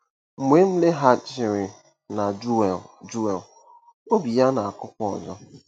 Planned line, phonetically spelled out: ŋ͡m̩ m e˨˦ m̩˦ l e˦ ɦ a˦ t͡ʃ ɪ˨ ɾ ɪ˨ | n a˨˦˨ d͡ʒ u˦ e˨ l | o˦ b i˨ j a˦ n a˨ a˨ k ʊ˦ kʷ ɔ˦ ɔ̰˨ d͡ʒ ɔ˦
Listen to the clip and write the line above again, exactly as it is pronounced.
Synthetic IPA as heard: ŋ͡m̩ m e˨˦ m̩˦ l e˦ ɦ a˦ t͡ʃ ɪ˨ ɾ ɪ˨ | n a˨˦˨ d͡ʒ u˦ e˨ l | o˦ b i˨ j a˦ n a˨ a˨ k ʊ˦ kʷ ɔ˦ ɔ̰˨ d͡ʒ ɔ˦